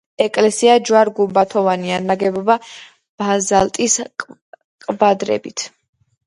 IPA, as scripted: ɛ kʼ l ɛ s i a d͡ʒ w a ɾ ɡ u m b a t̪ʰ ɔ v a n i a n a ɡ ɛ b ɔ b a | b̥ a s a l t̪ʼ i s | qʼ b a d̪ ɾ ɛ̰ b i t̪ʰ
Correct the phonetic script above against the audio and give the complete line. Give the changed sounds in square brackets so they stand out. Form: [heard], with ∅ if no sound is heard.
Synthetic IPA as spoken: ɛ kʼ l ɛ s i a d͡ʒ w a ɾ ɡ u m b a t̪ʰ ɔ v a n i a n a ɡ ɛ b ɔ b a | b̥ a [z] a l t̪ʼ i s | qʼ b a d̪ ɾ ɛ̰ b i t̪ʰ